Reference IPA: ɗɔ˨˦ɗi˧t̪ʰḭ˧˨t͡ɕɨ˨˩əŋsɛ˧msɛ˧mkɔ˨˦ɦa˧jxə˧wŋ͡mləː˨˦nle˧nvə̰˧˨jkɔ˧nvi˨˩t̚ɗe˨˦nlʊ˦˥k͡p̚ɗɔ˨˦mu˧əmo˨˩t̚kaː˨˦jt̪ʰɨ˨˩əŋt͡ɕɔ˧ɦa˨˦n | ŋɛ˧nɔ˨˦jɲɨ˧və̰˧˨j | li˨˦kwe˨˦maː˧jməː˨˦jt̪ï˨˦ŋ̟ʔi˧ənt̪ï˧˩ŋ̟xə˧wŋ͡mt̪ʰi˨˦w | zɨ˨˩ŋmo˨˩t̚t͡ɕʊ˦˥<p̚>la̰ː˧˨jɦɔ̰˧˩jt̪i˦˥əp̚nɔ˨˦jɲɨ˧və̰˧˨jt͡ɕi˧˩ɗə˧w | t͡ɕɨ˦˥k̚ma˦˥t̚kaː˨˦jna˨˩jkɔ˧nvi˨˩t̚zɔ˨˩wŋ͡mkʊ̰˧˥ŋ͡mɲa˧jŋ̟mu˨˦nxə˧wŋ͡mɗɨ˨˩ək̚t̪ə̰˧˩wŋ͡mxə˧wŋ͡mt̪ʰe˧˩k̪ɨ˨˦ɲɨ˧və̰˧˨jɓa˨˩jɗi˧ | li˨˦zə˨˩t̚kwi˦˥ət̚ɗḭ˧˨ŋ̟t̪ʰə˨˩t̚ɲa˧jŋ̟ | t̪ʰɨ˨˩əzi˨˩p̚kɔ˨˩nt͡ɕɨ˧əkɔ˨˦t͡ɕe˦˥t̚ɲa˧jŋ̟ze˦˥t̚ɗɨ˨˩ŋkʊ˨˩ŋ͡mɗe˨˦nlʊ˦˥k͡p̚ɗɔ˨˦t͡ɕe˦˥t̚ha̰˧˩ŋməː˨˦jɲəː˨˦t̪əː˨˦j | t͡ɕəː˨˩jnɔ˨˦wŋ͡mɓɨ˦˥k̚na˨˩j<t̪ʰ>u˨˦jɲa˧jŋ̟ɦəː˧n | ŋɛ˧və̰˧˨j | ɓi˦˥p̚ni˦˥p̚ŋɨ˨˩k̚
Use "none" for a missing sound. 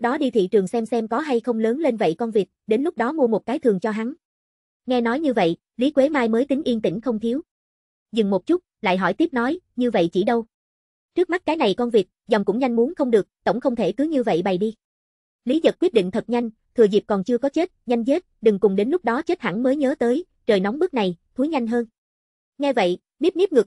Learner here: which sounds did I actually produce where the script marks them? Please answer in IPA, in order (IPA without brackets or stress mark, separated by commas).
t̚, t̪ʰ